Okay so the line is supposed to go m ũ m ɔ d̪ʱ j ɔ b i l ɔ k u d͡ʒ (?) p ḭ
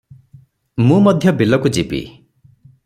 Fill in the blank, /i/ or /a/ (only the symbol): i